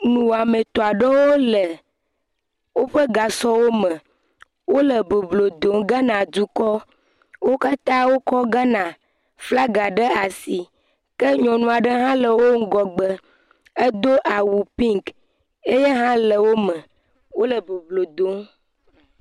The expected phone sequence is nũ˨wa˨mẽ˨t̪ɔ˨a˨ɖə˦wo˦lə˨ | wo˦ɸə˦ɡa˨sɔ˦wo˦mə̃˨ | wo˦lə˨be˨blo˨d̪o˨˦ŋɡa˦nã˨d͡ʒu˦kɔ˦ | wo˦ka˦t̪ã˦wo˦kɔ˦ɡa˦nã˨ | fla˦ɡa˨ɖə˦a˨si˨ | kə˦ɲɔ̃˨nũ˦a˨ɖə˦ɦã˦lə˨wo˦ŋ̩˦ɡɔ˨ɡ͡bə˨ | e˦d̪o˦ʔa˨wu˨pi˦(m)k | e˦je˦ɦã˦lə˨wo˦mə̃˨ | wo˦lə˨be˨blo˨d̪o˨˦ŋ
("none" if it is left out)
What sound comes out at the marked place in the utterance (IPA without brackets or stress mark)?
ŋ